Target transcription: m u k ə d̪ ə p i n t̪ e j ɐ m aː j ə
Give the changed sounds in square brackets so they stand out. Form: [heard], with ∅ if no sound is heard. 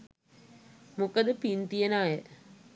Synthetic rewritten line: m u k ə d̪ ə p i n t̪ [i] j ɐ [n] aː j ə